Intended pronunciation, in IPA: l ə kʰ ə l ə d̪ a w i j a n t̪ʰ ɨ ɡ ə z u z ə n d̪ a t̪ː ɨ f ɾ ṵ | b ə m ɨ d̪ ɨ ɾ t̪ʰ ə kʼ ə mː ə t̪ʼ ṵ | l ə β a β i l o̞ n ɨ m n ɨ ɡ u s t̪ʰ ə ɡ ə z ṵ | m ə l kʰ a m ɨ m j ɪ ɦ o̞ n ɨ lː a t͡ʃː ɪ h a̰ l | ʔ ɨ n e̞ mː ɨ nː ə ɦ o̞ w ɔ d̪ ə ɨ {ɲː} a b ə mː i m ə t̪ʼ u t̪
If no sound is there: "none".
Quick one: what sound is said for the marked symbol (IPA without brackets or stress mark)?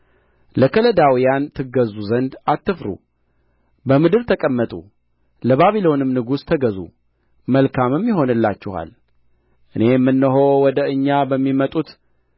ɲː